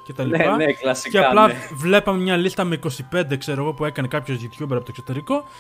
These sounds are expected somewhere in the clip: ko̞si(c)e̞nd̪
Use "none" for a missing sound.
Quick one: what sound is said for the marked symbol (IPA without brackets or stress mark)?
p